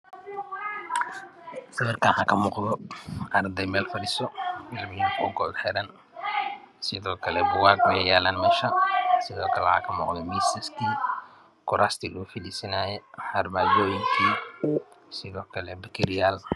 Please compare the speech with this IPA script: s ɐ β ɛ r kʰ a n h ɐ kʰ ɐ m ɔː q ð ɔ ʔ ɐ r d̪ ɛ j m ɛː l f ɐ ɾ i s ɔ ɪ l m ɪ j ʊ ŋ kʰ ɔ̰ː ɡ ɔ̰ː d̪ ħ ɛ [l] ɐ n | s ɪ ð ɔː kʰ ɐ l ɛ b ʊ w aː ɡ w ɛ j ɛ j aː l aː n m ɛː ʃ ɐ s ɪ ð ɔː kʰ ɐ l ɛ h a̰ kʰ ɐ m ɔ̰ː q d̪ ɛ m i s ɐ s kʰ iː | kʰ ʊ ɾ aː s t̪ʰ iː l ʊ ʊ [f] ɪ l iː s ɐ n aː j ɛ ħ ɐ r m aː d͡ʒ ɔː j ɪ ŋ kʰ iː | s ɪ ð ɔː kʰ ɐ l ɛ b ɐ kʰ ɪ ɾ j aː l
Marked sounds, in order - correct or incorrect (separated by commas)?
incorrect, correct